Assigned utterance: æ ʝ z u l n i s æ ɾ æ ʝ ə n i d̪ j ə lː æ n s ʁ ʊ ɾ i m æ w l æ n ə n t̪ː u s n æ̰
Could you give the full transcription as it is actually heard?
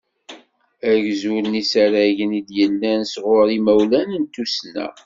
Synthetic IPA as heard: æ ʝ z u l n i s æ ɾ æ ʝ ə n i d̪ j ə lː æ n s ʁ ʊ ɾ i m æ w l æ n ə n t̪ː u s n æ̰